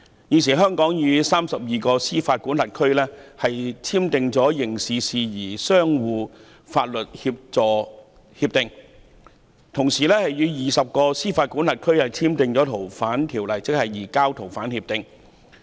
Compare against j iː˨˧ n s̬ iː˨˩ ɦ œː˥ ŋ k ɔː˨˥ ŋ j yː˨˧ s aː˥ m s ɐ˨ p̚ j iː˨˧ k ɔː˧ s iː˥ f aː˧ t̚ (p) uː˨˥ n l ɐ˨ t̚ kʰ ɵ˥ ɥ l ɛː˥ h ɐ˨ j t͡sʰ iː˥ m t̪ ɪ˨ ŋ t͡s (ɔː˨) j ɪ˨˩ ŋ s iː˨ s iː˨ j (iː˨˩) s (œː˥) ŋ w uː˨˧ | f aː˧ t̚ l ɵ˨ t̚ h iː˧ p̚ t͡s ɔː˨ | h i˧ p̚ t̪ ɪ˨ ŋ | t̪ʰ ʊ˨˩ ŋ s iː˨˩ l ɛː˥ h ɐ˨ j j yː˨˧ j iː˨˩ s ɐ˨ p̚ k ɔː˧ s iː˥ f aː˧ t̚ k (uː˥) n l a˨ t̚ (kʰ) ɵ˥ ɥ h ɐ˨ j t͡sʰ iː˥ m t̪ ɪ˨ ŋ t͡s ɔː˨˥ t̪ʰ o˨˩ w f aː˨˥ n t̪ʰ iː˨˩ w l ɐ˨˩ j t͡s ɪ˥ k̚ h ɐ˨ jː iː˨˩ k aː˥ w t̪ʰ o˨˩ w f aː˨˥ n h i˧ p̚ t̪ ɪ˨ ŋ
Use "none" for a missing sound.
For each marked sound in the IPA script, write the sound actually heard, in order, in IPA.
k, ɔː˨˥, iː˨˩, œː˥, uː˨˥, kʰ

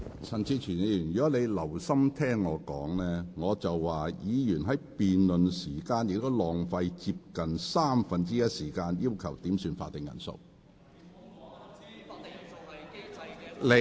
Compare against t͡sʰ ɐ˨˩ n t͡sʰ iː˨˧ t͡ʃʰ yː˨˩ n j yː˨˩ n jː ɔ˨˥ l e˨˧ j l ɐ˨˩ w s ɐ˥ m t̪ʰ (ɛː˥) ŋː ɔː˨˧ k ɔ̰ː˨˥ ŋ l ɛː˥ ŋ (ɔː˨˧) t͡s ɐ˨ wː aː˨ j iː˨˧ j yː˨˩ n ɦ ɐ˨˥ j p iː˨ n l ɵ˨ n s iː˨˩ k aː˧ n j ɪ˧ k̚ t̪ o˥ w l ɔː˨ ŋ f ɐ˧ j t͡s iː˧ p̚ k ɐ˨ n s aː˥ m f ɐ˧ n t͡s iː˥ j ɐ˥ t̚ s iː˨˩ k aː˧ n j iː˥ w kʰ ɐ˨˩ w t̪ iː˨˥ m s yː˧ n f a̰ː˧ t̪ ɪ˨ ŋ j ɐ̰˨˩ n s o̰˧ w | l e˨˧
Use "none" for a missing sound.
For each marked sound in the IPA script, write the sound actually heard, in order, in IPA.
ɛː˥, ɔː˨˧

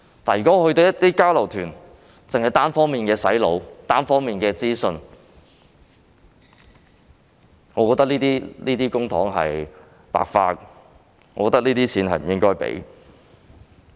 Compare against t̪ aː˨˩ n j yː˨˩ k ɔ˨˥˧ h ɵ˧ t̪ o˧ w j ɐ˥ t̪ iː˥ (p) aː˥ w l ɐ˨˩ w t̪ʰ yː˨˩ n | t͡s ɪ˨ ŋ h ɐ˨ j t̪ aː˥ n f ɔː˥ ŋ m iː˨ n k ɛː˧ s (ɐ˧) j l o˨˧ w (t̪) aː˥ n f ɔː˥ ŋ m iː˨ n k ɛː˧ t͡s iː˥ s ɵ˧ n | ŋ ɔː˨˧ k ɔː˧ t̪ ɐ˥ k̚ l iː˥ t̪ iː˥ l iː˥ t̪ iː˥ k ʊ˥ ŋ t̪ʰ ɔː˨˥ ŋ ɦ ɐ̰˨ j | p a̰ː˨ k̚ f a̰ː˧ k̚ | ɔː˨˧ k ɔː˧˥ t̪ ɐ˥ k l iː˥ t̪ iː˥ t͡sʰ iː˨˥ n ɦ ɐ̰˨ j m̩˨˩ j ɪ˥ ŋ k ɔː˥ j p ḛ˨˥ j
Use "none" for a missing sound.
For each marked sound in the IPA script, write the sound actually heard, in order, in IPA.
k, ɐ˨˥, t̪

